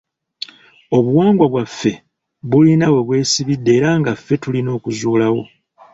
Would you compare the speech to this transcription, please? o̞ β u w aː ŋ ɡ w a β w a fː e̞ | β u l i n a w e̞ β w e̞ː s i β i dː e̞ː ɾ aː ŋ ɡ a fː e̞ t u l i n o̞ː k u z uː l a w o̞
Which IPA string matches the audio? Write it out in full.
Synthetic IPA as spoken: o̞ β u w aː ŋ ɡ w a β w a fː e̞ | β u l i n a w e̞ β w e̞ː s i β i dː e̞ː ɾ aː ŋ ɡ a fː e̞ t u l i n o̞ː k u z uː l a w o̞

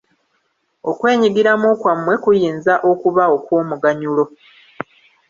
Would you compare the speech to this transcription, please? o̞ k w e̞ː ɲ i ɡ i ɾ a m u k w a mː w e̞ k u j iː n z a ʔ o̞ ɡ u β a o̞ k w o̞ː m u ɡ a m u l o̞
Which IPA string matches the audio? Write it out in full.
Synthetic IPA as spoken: o̞ k w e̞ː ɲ i ɡ i ɾ a m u k w a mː w e̞ k u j iː n z a ʔ o̞ k u β a o̞ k w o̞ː m u ɡ a ɲ u l o̞

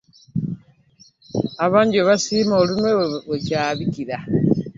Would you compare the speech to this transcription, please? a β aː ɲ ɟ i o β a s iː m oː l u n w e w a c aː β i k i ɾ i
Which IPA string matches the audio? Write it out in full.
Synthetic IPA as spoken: a β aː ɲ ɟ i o β a s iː m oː l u n w e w e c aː β i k i ɾ a

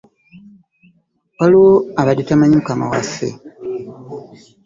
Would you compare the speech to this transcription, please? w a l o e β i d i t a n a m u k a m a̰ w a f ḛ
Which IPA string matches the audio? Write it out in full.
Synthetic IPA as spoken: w a l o a β a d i t a m a ɲ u k a m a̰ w a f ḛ

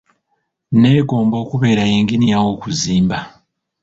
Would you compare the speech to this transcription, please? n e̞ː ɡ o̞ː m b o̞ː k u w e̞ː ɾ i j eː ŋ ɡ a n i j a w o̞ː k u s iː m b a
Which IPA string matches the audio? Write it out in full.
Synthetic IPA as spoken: n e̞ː ɡ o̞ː m b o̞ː k u β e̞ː ɾ a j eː ŋ ɡ i n i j a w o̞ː k u z iː m b a

